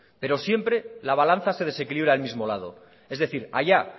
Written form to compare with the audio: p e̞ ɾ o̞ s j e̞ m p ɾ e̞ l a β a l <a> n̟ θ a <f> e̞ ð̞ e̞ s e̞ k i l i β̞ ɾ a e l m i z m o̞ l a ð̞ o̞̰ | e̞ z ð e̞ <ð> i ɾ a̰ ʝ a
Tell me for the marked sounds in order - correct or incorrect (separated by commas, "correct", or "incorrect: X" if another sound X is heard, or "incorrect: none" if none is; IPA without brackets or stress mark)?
correct, incorrect: s, incorrect: θ